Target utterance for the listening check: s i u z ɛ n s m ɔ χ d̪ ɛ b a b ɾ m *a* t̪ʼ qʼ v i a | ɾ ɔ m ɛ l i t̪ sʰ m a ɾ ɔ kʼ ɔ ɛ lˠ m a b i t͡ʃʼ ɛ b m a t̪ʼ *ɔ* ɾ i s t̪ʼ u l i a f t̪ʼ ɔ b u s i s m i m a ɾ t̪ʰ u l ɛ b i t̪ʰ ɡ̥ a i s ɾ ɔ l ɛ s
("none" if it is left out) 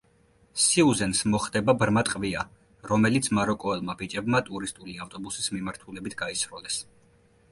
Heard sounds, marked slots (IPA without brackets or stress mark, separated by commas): a, u